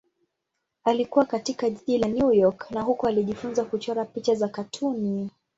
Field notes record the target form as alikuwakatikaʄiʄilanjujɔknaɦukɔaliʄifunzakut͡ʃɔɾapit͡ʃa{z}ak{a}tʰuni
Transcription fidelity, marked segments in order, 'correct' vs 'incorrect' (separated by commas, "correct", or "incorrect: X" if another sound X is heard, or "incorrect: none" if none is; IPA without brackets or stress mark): correct, correct